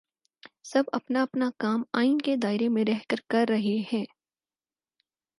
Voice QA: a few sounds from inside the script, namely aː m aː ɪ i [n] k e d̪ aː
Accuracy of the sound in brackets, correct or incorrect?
correct